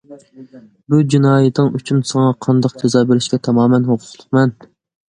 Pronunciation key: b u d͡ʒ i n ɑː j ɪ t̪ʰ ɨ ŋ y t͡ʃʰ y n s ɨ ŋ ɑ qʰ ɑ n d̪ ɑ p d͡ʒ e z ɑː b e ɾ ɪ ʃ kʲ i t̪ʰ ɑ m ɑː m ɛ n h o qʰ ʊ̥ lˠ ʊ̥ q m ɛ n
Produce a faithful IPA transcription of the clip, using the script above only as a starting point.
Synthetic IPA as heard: b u d͡ʒ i n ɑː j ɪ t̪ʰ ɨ ŋ y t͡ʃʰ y n s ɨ ŋ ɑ qʰ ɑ n d̪ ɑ q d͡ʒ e z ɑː b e ɾ ɪ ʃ kʲ ɛ t̪ʰ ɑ m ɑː m ɛ n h o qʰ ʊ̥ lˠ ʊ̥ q m ɛ n